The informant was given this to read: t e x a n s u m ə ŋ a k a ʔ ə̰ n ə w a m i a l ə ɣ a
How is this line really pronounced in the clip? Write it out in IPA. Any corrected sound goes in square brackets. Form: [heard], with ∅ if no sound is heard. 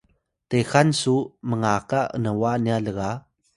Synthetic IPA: t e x a n s u m ə ŋ a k a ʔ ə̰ n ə w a [n] i a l ə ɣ a

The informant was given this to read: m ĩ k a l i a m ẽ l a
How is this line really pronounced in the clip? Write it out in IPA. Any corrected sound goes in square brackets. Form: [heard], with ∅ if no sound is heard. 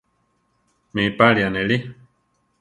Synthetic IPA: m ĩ [p] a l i a [n] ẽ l [i]

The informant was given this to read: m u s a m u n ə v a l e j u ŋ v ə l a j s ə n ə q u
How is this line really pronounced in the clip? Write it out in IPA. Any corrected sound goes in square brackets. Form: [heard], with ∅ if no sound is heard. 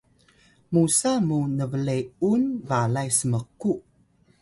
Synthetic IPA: m u s a m u n ə v [ə] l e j u [n] v [a] l a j s ə [m] ə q u

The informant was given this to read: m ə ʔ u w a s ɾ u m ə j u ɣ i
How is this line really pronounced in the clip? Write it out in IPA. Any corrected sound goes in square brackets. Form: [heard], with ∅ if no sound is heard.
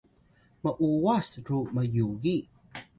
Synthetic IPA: m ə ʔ u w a s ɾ u m ə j u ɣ i

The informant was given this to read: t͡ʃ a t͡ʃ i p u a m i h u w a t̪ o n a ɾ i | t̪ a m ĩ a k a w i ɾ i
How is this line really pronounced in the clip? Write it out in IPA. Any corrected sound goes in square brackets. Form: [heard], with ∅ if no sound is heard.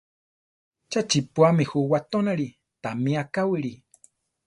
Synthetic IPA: t͡ʃ a t͡ʃ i p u a m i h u w a t̪ o n a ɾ i | t̪ a m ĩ a k a w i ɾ i

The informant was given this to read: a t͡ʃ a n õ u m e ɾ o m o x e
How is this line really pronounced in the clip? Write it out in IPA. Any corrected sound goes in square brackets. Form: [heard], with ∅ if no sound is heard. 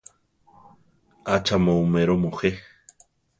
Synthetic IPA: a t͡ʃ a [m] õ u m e ɾ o m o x e

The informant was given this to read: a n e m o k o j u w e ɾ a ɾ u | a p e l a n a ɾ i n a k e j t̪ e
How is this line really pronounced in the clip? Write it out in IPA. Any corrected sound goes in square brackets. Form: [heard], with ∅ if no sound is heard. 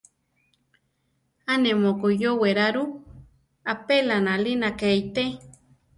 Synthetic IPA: a n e m o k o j [o] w e ɾ a ɾ u | a p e l a n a [l] i n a k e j t̪ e

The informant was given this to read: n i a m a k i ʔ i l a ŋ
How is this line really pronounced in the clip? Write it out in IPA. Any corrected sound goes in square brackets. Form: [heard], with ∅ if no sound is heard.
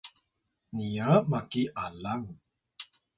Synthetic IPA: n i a m a k i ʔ [a] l a ŋ

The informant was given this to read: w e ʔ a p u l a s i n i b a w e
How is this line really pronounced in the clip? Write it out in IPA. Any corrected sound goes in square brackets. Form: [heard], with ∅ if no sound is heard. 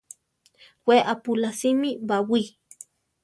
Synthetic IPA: w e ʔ a p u l a s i [m] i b a w [i]

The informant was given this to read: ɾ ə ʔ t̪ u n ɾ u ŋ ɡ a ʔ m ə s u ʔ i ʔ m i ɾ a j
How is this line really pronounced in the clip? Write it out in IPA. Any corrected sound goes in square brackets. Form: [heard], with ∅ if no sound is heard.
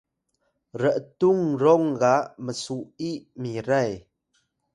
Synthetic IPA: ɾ ə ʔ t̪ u [ŋ] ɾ [ɔ] ŋ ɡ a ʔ m ə s u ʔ i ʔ m i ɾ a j

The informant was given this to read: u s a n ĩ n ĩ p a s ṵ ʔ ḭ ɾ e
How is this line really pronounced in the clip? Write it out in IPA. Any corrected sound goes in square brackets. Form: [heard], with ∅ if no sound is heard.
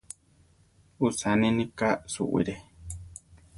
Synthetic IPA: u s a n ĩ n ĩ [k] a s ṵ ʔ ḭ ɾ e

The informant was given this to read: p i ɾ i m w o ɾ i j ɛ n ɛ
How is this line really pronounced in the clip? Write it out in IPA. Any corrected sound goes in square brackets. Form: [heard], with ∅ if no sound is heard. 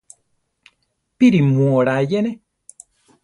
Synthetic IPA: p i ɾ i m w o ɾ [a] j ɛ n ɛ

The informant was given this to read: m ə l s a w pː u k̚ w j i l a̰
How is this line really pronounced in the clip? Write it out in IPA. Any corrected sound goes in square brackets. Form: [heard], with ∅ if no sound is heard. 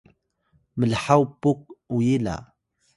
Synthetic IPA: m ə l [ħ] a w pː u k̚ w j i l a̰

